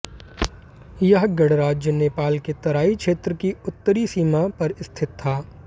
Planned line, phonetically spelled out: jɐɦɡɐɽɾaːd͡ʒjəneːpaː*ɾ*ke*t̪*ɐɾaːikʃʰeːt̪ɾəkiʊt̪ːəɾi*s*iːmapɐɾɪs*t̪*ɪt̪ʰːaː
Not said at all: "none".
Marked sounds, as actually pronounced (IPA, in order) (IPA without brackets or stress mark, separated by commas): l, t̪, s, t̪ʰ